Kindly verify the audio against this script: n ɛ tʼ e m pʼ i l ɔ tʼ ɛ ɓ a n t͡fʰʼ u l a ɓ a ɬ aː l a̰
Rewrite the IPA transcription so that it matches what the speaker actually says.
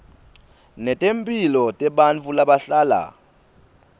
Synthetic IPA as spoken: n ɛ tʼ e m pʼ i l ɔ tʼ ɛ ɓ a n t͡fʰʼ u l a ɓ a ɬ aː l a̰